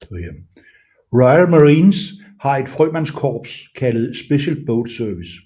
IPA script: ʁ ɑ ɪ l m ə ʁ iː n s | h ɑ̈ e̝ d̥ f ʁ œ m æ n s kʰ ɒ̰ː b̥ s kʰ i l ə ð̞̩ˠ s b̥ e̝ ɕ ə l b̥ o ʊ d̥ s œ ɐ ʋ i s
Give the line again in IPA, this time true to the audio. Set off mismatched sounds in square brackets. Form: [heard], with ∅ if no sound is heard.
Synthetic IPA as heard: ʁ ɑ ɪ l m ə ʁ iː n s | h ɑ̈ e̝ d̥ f ʁ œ m æ n s kʰ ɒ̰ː b̥ s kʰ [æ] l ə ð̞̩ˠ s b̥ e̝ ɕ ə l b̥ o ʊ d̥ s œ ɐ ʋ i s